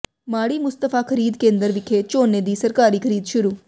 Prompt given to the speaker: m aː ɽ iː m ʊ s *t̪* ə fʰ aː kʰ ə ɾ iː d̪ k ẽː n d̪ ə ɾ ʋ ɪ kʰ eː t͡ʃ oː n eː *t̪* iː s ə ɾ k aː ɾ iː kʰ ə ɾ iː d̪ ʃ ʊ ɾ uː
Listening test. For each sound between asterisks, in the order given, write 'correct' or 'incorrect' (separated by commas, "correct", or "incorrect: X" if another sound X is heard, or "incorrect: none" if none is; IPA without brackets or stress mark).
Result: correct, incorrect: d̪